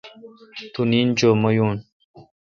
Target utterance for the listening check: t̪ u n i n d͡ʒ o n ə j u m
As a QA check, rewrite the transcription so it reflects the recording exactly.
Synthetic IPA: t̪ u n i n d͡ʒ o m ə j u n